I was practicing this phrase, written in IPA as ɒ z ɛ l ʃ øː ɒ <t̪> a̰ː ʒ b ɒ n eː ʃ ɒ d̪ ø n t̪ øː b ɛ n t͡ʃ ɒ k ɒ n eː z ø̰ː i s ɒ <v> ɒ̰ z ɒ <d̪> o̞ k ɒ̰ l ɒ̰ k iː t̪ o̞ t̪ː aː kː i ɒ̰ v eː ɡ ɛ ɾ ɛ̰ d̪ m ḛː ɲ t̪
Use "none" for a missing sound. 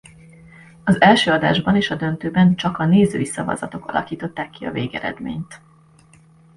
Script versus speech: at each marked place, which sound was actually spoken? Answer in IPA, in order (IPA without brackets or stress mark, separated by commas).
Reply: d̪, v, t̪